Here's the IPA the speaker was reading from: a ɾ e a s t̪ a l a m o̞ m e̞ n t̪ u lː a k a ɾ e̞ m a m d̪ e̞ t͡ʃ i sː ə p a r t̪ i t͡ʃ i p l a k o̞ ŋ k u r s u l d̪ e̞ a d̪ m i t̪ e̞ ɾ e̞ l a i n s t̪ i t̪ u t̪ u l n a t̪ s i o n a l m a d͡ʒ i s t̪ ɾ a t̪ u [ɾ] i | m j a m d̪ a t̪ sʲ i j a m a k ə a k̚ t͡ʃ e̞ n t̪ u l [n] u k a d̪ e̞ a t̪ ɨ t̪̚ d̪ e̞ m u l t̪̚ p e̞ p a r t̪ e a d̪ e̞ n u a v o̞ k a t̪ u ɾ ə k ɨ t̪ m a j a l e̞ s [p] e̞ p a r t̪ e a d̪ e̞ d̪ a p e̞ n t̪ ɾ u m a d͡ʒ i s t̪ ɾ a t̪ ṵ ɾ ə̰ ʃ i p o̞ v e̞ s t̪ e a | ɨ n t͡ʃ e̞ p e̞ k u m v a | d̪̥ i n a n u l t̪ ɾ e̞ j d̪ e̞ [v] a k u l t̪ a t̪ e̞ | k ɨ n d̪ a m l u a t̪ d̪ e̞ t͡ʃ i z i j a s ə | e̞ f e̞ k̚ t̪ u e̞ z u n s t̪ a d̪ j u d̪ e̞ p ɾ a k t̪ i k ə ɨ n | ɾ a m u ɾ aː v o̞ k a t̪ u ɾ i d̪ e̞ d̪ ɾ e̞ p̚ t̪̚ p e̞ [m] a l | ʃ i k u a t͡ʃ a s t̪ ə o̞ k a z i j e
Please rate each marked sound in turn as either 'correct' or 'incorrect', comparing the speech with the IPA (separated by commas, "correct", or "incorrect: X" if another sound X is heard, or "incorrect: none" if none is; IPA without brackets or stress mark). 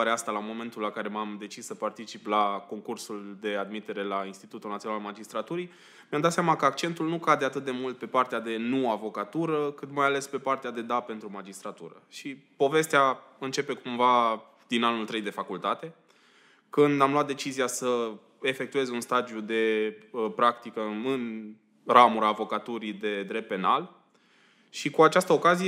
correct, correct, correct, incorrect: f, incorrect: n